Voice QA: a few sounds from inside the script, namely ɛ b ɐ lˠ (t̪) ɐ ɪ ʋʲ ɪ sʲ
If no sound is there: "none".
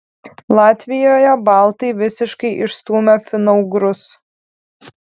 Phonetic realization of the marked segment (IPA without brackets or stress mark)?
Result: t̪